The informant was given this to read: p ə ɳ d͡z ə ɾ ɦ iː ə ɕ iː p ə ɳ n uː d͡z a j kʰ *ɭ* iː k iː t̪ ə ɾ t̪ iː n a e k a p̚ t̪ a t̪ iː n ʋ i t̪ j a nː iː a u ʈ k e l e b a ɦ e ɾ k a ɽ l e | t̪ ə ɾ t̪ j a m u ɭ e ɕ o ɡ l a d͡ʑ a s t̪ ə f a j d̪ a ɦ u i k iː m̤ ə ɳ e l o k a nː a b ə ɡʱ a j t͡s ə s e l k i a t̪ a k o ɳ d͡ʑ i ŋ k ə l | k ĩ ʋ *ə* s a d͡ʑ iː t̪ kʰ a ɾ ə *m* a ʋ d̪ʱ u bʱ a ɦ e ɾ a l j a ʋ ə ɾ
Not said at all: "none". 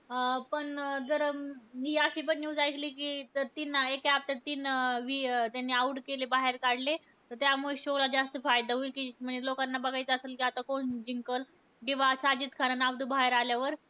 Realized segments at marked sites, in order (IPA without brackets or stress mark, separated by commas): l, a, n